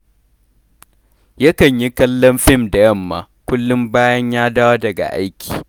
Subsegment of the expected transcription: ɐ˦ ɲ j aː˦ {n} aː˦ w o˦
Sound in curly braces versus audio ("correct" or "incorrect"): incorrect